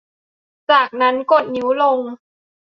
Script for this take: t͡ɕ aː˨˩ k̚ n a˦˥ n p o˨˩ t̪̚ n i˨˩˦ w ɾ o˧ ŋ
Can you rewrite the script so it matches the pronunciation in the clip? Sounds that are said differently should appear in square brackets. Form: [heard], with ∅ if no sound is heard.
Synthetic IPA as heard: t͡ɕ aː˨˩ k̚ n a˦˥ n [k] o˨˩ t̪̚ n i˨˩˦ w [l] o˧ ŋ